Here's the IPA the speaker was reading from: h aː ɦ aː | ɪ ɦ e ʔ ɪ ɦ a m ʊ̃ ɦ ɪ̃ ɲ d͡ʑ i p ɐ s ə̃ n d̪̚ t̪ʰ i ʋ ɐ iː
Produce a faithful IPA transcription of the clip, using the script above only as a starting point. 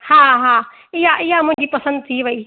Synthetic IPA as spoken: h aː ɦ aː | ɪ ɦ a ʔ ɪ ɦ a m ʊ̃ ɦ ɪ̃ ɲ d͡ʑ i p ɐ s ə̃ n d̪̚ t̪ʰ i ʋ ɐ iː